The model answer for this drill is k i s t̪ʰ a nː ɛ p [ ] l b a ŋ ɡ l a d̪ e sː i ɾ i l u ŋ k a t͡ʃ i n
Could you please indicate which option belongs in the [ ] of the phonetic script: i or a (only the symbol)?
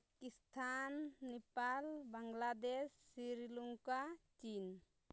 a